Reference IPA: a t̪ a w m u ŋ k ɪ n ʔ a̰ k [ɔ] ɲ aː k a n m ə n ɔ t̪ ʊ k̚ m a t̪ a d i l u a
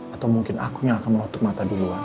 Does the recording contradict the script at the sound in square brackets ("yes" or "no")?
yes